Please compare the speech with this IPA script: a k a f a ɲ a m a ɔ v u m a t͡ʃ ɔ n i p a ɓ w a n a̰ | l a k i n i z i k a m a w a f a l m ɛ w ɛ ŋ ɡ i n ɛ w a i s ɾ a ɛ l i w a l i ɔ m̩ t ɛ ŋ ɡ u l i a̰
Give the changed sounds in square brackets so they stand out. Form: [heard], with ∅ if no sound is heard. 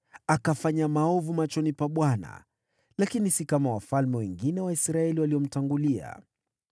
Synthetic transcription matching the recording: a k a f a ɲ a m a ɔ v u m a t͡ʃ ɔ n i p a ɓ w a n a̰ | l a k i n i [s] i k a m a w a f a l m ɛ w ɛ ŋ ɡ i n ɛ w a i s ɾ a ɛ l i w a l i ɔ m̩ t [a] ŋ ɡ u l i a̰